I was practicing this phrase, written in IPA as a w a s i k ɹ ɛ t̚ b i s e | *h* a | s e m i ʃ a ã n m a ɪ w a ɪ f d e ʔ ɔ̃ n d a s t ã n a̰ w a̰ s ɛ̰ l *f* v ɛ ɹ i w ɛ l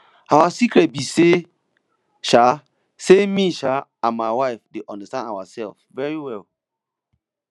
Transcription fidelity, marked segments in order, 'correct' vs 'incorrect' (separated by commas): incorrect, correct